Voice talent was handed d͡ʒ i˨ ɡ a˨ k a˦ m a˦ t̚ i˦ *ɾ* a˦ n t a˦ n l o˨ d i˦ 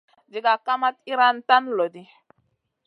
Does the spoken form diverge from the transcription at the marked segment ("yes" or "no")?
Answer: no